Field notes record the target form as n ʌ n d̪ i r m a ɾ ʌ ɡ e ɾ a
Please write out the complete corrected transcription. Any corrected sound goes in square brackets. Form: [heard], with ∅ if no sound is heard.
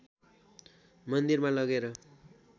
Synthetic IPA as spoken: [m] ʌ n d̪ i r m a [l] ʌ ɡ e ɾ [ʌ]